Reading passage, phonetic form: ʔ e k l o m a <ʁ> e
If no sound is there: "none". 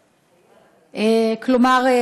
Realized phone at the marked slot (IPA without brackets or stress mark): ʁ